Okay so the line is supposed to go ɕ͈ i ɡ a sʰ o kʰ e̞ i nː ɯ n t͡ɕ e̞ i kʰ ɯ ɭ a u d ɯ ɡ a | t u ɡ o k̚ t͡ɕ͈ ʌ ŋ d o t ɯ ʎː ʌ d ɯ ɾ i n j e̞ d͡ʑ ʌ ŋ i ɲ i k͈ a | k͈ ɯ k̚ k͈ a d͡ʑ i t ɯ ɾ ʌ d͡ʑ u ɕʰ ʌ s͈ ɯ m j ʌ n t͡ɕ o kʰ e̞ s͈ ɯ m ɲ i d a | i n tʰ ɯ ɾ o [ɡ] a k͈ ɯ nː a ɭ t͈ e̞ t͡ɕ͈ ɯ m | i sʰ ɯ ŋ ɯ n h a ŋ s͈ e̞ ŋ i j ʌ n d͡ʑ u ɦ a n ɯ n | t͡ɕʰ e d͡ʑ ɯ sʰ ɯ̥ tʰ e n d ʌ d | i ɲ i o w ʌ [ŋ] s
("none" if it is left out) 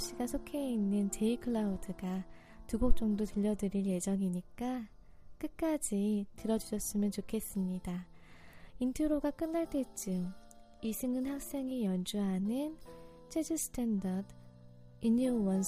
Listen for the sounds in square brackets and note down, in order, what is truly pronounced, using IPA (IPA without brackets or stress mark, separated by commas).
ɡ, n